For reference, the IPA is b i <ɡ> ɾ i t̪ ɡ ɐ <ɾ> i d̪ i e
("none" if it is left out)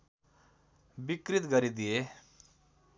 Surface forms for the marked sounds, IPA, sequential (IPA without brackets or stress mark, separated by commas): k, ɾ